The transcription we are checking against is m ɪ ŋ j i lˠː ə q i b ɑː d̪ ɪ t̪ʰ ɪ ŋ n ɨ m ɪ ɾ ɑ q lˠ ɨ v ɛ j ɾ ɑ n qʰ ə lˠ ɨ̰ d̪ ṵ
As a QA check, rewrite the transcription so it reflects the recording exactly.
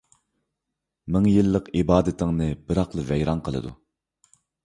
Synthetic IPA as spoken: m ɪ ŋ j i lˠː ə q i b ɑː d̪ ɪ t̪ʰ ɪ ŋ n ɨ b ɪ ɾ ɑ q lˠ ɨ v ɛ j ɾ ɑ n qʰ ə lˠ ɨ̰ d̪ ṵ